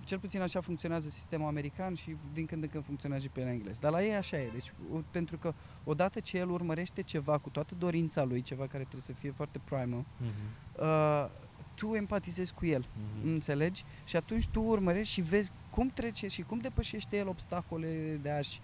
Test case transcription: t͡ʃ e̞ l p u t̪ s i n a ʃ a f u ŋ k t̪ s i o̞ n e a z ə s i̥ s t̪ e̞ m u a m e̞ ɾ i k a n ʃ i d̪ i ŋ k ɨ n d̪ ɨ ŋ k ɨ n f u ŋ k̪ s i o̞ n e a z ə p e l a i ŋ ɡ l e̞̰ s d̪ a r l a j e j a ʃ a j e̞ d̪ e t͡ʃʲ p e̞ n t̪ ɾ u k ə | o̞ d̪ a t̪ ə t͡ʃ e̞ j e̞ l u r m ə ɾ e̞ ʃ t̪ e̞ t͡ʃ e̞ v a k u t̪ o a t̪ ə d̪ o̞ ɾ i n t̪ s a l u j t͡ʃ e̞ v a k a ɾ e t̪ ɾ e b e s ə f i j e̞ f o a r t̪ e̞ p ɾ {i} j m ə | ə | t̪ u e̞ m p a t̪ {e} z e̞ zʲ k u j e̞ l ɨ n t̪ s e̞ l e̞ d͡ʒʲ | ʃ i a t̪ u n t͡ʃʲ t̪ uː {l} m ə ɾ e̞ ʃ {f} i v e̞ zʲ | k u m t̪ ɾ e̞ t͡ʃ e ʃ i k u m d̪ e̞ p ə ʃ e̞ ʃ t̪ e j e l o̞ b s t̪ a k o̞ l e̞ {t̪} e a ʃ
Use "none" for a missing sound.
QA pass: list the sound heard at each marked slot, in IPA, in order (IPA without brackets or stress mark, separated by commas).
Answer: a, i, r, ʃ, d̪